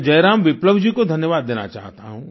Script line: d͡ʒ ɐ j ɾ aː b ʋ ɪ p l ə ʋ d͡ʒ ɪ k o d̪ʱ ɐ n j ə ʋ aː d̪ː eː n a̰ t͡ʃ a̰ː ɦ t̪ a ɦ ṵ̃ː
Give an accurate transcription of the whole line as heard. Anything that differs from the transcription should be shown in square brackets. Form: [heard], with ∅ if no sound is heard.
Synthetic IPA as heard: d͡ʒ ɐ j ɾ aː [m] ʋ ɪ p l ə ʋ d͡ʒ [i] k o d̪ʱ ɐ n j ə ʋ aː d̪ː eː n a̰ t͡ʃ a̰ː ɦ t̪ a ɦ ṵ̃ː